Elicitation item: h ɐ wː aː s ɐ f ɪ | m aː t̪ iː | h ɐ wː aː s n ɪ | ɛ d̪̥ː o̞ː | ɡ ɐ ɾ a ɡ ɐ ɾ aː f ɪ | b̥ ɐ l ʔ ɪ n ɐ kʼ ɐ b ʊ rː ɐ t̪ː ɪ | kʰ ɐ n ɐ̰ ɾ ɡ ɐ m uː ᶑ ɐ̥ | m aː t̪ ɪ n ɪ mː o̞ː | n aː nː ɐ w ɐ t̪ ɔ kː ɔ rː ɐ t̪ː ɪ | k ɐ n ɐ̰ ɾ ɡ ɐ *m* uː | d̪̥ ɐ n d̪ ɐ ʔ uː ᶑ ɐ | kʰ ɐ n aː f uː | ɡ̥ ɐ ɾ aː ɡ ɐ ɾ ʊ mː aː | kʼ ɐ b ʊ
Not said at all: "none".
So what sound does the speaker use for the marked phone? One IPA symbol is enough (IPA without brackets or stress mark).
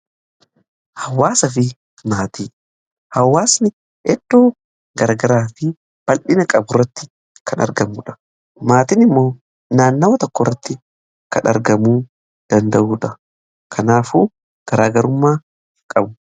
m